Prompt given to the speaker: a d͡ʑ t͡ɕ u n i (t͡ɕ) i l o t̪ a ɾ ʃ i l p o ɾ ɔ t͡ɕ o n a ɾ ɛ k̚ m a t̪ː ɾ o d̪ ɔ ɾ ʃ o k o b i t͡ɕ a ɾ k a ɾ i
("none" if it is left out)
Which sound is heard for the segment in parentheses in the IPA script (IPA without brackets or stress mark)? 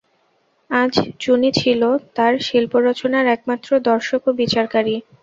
t͡ɕʰ